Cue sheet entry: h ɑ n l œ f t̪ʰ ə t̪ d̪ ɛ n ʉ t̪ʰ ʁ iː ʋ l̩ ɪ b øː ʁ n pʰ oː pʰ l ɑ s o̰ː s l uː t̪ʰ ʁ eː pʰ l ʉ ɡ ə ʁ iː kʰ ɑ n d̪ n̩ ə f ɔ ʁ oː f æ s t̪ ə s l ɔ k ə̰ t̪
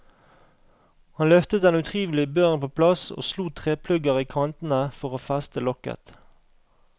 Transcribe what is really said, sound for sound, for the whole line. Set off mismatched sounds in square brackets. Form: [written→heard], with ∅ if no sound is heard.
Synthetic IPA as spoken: h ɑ n l œ f [t̪ʰ→t̪] ə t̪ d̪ ɛ n ʉ t̪ʰ ʁ iː ʋ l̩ ɪ b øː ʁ n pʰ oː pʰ l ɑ s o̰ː s l uː t̪ʰ ʁ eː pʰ l ʉ ɡ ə ʁ iː kʰ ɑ n [d̪→t̪] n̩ ə f ɔ ʁ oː f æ s t̪ ə [s→∅] l ɔ k ə̰ t̪